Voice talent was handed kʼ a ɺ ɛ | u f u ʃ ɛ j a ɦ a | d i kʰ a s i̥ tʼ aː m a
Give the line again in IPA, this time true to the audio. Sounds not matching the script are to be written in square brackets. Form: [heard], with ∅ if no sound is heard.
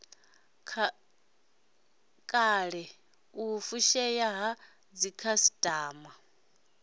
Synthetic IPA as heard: kʼ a ɺ ɛ | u f u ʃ ɛ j a ɦ a | [d͡z] i kʰ a s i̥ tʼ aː m a